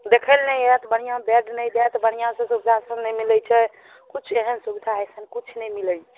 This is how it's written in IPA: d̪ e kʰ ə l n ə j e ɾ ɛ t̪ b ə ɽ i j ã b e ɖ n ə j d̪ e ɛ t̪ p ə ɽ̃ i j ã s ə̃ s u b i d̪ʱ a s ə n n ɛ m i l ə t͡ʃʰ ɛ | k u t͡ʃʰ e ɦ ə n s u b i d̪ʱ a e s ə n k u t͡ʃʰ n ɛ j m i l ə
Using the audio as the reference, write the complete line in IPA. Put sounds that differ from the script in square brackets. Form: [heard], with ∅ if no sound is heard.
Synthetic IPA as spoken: d̪ e kʰ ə l n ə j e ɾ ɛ t̪ b ə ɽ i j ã b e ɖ n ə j d̪ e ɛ t̪ [b] ə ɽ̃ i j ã s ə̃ s u b i d̪ʱ a s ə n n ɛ m i l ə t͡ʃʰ ɛ | k u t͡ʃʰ e ɦ ə n s u b i d̪ʱ a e s ə n k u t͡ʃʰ n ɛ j m i l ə